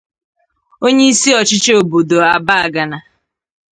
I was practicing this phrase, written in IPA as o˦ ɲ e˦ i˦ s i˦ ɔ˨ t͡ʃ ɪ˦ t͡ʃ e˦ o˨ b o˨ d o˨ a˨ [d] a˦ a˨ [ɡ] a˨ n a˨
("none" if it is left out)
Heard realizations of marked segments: b, ɡ

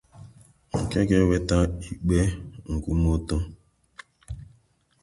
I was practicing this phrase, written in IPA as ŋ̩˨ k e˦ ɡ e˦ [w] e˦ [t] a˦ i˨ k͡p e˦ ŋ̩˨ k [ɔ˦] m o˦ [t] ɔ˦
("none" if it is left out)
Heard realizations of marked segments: w, t, u˦, t

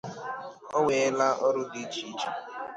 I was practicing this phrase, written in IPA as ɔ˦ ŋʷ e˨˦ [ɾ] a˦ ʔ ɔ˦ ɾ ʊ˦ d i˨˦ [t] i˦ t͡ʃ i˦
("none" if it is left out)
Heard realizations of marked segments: l, t͡ʃ

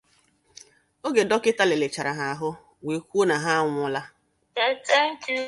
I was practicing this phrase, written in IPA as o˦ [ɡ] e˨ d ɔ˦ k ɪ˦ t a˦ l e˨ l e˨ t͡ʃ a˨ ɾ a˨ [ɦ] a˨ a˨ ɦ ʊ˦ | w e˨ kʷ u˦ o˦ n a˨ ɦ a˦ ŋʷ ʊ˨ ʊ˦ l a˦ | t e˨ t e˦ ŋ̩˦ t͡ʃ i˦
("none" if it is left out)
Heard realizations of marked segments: ɡ, ɦ

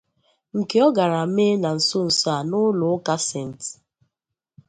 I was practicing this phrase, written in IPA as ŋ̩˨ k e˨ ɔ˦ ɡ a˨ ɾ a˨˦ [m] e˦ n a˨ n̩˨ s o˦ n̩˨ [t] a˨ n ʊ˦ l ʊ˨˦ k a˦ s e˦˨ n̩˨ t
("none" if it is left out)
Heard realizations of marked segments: m, s

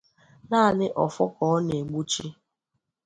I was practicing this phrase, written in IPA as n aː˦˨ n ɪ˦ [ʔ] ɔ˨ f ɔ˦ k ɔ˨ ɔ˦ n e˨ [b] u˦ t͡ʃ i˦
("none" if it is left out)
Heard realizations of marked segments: ʔ, ɡ͡b

